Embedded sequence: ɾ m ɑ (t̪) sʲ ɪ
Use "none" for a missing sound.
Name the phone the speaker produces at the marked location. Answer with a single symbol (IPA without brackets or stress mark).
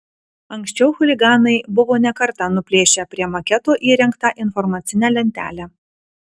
t̪